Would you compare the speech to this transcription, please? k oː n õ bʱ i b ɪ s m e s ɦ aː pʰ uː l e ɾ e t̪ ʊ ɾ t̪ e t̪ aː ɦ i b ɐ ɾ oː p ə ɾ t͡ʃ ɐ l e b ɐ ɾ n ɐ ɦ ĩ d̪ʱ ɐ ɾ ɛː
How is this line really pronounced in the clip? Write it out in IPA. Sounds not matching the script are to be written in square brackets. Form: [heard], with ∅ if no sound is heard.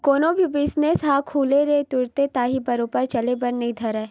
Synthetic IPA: k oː n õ bʱ i b ɪ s [n] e s ɦ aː [kʰ] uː l e ɾ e t̪ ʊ ɾ t̪ e t̪ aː ɦ i b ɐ ɾ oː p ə ɾ t͡ʃ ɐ l e b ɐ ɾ n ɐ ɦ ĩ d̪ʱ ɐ ɾ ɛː